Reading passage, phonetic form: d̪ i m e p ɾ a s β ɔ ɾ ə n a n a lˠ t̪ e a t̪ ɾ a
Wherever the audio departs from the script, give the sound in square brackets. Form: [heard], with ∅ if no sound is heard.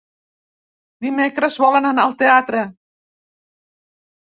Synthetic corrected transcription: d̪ i m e [k] ɾ [ə] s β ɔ [l] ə n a n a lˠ t̪ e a t̪ ɾ [ə]